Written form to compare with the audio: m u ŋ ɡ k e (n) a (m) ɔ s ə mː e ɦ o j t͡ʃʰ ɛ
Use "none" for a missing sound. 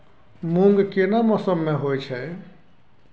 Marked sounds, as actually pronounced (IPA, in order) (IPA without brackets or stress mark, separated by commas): n, m